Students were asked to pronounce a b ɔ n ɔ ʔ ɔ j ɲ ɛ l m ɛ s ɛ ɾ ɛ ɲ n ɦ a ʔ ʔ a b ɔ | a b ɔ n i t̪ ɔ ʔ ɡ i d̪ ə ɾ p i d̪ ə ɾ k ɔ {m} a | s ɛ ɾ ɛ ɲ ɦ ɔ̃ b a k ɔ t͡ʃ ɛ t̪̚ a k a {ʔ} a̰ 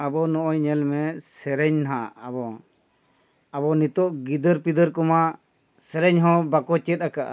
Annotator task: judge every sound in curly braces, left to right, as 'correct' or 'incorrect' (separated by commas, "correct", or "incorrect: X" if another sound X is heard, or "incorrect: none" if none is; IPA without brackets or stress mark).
correct, correct